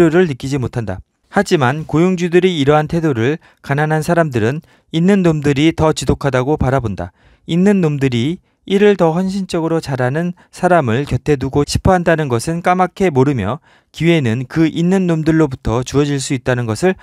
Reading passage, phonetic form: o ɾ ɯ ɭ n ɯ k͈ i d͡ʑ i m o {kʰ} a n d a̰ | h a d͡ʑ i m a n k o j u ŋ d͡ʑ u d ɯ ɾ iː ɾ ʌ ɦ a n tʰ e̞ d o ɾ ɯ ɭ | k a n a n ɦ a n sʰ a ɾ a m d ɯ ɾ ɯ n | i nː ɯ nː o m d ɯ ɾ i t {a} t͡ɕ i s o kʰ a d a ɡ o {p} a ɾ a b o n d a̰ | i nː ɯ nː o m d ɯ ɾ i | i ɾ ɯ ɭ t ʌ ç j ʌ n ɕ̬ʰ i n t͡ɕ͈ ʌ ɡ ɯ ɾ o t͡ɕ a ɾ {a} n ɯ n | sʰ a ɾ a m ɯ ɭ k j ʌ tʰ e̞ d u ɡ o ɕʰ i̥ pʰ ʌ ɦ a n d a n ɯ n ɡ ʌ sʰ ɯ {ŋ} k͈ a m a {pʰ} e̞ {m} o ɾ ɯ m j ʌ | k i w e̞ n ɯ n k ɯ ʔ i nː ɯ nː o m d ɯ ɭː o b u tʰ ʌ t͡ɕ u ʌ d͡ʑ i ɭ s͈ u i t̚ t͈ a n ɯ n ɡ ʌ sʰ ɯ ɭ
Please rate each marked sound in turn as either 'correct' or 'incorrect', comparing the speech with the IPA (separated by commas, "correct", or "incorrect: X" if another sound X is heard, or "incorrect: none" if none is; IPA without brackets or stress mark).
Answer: incorrect: tʰ, incorrect: ʌ, correct, correct, incorrect: n, incorrect: kʰ, correct